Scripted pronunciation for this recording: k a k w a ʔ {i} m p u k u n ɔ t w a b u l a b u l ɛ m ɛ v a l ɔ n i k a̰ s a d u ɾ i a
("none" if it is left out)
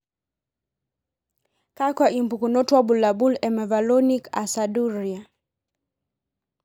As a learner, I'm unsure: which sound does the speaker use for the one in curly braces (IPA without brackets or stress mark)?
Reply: i